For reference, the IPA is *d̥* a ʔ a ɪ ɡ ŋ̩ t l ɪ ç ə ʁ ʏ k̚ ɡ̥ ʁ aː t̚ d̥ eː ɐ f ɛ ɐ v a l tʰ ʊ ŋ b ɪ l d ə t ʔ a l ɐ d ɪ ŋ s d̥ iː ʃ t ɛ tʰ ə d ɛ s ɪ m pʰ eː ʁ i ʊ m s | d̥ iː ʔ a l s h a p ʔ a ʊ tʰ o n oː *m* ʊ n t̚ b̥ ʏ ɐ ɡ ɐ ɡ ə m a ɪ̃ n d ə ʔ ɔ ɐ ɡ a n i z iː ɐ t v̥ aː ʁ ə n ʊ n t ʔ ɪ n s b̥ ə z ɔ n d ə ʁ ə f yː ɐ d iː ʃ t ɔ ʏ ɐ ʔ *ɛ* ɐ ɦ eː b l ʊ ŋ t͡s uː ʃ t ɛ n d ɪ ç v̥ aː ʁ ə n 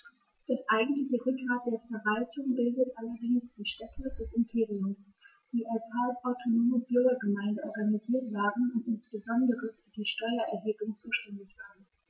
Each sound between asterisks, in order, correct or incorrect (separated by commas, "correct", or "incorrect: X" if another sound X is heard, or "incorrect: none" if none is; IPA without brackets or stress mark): correct, correct, correct